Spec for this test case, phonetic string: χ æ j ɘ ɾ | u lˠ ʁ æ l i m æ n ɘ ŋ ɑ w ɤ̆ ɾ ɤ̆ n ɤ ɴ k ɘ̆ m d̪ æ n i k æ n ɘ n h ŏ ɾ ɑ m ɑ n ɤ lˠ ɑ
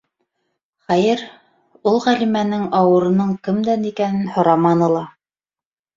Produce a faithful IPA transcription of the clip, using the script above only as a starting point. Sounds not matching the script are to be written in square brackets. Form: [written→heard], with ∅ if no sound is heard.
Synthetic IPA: χ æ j ɘ ɾ | u lˠ ʁ æ l i m æ n ɘ ŋ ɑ w ɤ̆ ɾ ɤ̆ n ɤ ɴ k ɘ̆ m d̪ æ n i k æ n ɘ n h ŏ ɾ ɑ m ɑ n ɤ lˠ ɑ

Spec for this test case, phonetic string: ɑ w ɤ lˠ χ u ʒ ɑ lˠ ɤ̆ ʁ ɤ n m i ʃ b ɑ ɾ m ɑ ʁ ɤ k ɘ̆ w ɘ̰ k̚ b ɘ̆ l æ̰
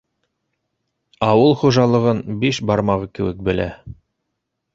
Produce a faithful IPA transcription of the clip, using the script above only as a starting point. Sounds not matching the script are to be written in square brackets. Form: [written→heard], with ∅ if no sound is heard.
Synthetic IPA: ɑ w ɤ lˠ χ u ʒ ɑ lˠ ɤ̆ ʁ ɤ n [m→b] i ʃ b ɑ ɾ m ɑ ʁ ɤ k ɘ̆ w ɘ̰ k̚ b ɘ̆ l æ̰

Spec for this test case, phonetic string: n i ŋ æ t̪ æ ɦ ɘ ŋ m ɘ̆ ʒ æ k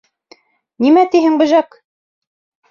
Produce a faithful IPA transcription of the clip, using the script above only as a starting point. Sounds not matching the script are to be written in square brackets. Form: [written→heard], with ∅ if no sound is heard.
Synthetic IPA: n i [ŋ→m] æ t̪ [æ→i] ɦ ɘ ŋ [m→b] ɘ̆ ʒ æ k

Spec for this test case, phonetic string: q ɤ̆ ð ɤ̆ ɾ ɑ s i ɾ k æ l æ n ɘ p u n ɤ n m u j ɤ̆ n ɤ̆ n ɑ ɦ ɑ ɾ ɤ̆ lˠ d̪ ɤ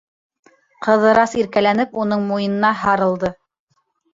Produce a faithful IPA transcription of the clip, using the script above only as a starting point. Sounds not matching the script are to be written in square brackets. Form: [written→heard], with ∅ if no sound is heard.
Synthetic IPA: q ɤ̆ ð ɤ̆ ɾ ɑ s i ɾ k æ l æ n ɘ p u n ɤ [n→ɴ] m u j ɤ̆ n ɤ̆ n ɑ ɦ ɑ ɾ ɤ̆ lˠ d̪ ɤ

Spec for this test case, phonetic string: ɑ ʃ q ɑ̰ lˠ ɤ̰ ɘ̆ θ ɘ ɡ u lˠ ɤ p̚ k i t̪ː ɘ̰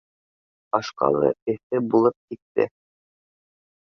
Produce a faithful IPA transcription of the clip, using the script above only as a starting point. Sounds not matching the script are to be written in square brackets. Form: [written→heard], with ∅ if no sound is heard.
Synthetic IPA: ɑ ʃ q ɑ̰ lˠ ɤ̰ ɘ̆ θ ɘ [ɡ→b] u lˠ ɤ p̚ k i t̪ː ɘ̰

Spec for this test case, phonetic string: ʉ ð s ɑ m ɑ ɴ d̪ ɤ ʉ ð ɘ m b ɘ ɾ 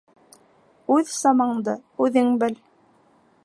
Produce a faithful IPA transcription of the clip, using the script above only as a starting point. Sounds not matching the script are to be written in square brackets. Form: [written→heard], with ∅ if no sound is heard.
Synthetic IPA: ʉ ð s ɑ m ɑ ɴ d̪ ɤ ʉ ð ɘ [m→ŋ] b ɘ [ɾ→l]

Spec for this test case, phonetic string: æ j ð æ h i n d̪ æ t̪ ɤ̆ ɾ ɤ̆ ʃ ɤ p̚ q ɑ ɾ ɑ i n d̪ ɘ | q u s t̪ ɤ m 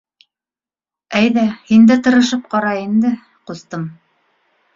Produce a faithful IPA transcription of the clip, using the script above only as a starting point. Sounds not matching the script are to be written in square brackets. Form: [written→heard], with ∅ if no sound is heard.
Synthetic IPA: æ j ð æ h i n d̪ æ t̪ ɤ̆ ɾ ɤ̆ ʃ ɤ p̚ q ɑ ɾ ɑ i n d̪ ɘ | q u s t̪ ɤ m

